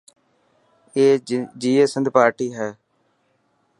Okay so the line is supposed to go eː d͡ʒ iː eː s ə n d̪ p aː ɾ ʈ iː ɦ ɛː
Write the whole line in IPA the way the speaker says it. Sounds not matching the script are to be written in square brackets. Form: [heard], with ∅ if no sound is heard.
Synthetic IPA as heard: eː d͡ʒ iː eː s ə n d̪ p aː ɾ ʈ iː ɦ ɛː